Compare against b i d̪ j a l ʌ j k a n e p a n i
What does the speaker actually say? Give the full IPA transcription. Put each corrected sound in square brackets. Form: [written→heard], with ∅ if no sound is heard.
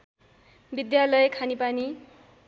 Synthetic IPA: b i d̪ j a l ʌ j [k→kʰ] a n [e→i] p a n i